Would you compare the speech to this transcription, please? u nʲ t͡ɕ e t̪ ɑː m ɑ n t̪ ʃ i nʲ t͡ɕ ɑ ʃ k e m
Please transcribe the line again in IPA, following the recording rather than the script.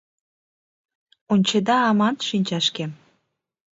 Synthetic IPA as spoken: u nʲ t͡ɕ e d̪ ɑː m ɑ n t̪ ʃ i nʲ t͡ɕ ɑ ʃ k e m

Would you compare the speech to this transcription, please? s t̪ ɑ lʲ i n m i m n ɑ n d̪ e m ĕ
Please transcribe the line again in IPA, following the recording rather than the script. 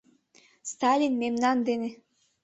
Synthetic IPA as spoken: s t̪ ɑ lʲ i n m e m n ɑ n d̪ e n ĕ

